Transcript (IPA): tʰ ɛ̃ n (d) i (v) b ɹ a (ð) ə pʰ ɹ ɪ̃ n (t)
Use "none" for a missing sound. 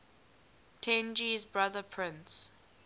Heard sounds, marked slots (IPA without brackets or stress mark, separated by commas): d͡ʒ, z, ð, s